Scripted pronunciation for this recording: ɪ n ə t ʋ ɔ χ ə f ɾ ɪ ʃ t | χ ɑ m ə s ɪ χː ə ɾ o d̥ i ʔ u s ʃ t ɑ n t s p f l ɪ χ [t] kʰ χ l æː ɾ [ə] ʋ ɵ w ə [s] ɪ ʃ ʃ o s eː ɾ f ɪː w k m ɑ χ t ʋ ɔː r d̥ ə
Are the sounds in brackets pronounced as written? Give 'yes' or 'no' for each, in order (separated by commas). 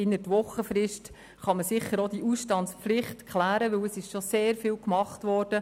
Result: yes, yes, yes